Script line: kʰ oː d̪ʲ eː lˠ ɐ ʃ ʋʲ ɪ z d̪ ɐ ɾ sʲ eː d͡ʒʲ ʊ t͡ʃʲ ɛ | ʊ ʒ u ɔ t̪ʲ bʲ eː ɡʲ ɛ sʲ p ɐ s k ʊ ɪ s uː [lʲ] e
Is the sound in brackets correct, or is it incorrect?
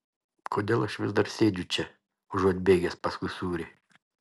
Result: incorrect